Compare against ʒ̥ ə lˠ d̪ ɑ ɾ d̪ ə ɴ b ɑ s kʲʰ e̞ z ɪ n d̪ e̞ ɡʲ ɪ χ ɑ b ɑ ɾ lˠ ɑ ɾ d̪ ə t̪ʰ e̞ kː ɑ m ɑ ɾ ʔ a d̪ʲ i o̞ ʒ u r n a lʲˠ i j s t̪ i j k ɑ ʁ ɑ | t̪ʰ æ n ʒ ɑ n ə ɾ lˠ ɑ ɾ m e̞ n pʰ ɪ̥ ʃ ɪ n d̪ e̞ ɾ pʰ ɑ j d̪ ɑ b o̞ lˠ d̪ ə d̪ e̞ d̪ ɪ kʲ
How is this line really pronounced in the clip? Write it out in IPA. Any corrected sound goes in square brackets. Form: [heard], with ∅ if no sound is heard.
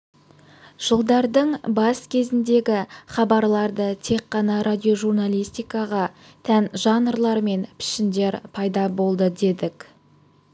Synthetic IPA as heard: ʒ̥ ə lˠ d̪ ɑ ɾ d̪ ə ɴ b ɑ s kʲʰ e̞ z ɪ n d̪ e̞ ɡʲ ɪ χ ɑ b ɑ ɾ lˠ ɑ ɾ d̪ ə t̪ʰ e̞ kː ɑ [n] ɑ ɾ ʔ a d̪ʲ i o̞ ʒ u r n a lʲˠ i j s t̪ i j k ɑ ʁ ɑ | t̪ʰ æ n ʒ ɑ n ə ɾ lˠ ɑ ɾ m e̞ n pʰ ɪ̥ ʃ ɪ n d̪ e̞ ɾ pʰ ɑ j d̪ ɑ b o̞ lˠ d̪ ə d̪ e̞ d̪ ɪ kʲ

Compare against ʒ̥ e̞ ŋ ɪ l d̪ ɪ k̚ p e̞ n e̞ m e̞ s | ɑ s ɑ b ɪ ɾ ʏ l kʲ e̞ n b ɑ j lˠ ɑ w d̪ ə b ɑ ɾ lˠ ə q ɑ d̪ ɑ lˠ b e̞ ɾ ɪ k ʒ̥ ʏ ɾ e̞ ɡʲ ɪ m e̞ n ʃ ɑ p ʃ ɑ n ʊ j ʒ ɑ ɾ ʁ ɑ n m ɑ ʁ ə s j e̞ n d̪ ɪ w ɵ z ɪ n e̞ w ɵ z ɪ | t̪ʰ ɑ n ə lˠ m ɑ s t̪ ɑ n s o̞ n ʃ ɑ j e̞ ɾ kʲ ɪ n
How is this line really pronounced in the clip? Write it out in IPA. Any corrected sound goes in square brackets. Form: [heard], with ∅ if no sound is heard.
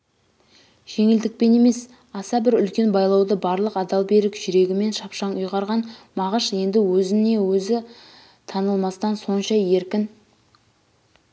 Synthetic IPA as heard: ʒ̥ e̞ ŋ ɪ l d̪ ɪ k̚ p e̞ n e̞ m e̞ s | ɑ s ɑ b ɪ ɾ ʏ l kʲ e̞ n b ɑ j lˠ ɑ w d̪ ə b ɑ ɾ lˠ ə q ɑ d̪ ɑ lˠ b e̞ ɾ ɪ k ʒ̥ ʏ ɾ e̞ ɡʲ ɪ m e̞ n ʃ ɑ p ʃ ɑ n ʊ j [ʁ] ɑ ɾ ʁ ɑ n m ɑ ʁ ə [ʃ] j e̞ n d̪ ɪ w ɵ z ɪ n e̞ w ɵ z ɪ | t̪ʰ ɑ n ə lˠ m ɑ s t̪ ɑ n s o̞ n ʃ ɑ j e̞ ɾ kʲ ɪ n

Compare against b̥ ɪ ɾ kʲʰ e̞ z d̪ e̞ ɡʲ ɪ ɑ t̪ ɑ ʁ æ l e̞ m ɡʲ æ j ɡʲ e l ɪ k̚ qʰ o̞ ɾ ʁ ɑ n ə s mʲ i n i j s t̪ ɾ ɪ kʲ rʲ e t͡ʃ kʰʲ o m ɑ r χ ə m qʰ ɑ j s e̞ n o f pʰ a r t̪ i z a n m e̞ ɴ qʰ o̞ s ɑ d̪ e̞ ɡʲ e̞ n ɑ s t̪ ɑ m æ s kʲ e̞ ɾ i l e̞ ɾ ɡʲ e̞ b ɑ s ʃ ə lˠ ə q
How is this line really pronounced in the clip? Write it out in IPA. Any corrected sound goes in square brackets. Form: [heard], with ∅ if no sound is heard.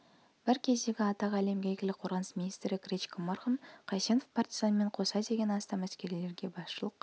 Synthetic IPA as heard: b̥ ɪ ɾ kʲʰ e̞ z d̪ e̞ ɡʲ ɪ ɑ t̪ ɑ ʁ æ l e̞ m ɡʲ æ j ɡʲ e l ɪ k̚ qʰ o̞ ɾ ʁ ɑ n ə s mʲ i n i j s t̪ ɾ ɪ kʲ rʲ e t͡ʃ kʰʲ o m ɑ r χ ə m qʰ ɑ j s e̞ n o f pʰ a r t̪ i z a n m e̞ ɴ qʰ o̞ s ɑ d̪ e̞ ɡʲ e̞ n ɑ s t̪ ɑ m æ s kʲ e̞ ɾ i l e̞ ɾ ɡʲ e̞ b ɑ s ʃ ə lˠ ə q

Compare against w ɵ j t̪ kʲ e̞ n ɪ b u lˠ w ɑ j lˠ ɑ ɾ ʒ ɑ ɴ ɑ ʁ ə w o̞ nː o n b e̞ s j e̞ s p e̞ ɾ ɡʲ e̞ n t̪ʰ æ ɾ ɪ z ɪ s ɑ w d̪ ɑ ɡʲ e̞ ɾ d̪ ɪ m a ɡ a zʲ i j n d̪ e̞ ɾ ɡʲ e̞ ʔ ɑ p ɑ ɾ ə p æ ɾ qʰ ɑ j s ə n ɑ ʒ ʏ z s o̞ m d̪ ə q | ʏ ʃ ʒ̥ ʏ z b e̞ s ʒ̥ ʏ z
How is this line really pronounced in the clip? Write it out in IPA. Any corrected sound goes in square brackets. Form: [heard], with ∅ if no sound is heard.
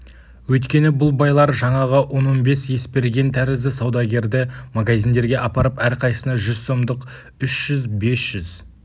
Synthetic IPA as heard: w ɵ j t̪ kʲ e̞ n ɪ b [ʊ] lˠ [b] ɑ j lˠ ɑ ɾ ʒ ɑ ɴ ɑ ʁ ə w o̞ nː o n b e̞ s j e̞ s p e̞ ɾ ɡʲ e̞ n t̪ʰ æ ɾ ɪ z ɪ s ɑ w d̪ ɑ ɡʲ e̞ ɾ d̪ ɪ m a ɡ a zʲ i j n d̪ e̞ ɾ ɡʲ e̞ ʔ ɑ p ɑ ɾ ə p æ ɾ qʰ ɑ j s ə n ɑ ʒ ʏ z s o̞ m d̪ ə q | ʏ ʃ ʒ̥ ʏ z b e̞ s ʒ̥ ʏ z

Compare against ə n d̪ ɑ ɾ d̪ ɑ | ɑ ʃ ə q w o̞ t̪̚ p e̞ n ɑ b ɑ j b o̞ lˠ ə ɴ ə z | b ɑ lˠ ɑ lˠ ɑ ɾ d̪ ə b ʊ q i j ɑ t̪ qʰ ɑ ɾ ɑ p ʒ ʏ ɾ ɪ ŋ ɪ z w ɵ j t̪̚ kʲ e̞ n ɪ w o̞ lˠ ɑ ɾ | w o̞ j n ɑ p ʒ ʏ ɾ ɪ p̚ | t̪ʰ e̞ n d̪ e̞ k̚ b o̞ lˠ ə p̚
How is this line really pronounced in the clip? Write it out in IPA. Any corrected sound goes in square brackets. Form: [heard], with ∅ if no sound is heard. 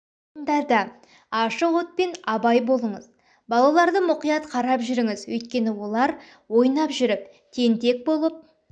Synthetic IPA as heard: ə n d̪ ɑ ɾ d̪ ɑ | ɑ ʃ ə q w o̞ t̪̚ p e̞ n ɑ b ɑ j b o̞ lˠ ə ɴ ə z | b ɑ lˠ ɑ lˠ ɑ ɾ d̪ ə [m] ʊ q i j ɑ t̪ qʰ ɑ ɾ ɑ p ʒ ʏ ɾ ɪ ŋ ɪ z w ɵ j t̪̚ kʲ e̞ n ɪ w o̞ lˠ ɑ ɾ | w o̞ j n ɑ p ʒ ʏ ɾ ɪ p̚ | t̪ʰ e̞ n [t̪] e̞ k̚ b o̞ lˠ ə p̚

